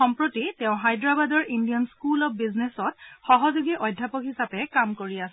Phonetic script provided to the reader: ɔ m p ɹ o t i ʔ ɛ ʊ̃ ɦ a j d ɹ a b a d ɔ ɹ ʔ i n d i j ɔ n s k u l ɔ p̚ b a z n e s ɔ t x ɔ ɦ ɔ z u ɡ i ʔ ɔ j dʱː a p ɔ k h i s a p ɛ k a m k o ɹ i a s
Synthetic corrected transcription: ɔ m p ɹ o t i t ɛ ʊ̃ ɦ a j d ɹ a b a d ɔ ɹ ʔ i n d i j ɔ n s k u l ɔ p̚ b i z n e s ɔ t x ɔ ɦ ɔ z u ɡ i ʔ ɔ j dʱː a p ɔ k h i s a p ɛ k a m k o ɹ i a s